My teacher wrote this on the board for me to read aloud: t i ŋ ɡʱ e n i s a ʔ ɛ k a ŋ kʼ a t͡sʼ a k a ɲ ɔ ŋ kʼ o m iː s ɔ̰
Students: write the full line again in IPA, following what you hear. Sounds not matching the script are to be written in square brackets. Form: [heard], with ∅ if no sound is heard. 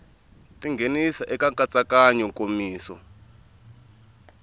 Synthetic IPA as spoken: t i ŋ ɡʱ e n i s a ʔ ɛ k a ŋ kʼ a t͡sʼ a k a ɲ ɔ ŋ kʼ o m iː s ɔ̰